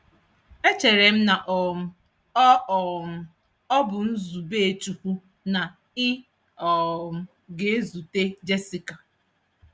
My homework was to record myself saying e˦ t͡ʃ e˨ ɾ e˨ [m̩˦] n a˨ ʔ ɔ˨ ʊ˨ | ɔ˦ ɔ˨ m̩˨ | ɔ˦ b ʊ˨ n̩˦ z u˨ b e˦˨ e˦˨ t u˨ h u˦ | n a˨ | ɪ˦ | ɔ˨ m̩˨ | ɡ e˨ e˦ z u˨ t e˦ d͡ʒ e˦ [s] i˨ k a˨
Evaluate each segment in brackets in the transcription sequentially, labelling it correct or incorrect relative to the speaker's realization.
correct, correct

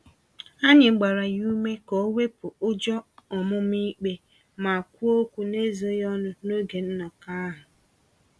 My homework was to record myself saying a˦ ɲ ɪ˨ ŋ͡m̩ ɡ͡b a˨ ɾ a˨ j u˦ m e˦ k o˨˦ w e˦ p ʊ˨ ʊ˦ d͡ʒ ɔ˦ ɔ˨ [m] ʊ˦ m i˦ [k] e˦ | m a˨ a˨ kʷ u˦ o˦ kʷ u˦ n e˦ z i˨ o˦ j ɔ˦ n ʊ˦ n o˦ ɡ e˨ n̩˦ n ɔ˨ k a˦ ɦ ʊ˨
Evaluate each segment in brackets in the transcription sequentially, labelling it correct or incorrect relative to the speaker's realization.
correct, incorrect

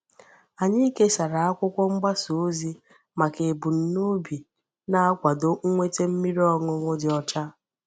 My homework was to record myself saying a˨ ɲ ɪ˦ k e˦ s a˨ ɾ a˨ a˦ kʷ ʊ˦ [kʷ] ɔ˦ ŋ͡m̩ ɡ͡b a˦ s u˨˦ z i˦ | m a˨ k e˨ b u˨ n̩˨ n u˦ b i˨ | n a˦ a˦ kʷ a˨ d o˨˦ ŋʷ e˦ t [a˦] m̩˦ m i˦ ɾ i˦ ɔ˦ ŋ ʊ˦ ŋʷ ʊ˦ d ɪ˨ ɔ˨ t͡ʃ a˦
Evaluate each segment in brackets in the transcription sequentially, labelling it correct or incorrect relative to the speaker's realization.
correct, incorrect

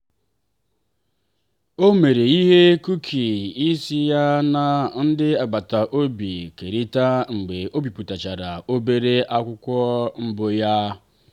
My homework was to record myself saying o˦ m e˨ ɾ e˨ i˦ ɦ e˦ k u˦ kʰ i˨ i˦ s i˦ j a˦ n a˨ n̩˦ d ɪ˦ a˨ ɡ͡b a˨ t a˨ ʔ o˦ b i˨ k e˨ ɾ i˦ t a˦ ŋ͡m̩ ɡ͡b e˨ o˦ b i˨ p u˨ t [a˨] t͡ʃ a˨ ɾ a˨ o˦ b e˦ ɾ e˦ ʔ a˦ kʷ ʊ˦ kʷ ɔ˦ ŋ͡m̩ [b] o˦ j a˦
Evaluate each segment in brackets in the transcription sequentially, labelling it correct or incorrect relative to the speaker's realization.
correct, correct

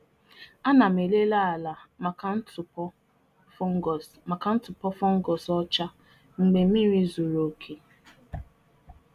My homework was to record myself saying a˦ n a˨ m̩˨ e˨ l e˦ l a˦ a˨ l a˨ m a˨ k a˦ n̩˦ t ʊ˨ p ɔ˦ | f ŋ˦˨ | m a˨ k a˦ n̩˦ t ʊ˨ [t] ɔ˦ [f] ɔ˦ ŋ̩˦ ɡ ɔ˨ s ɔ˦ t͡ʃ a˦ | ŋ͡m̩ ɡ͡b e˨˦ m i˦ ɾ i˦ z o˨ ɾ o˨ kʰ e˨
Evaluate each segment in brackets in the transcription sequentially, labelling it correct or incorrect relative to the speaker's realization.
incorrect, correct

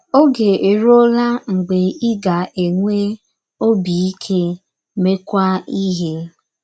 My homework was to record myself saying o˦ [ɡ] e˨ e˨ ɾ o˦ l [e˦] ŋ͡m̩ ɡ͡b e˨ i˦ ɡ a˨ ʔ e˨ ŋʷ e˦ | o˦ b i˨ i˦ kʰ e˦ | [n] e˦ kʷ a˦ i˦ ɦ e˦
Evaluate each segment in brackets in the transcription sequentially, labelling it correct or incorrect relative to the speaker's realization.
correct, incorrect, incorrect

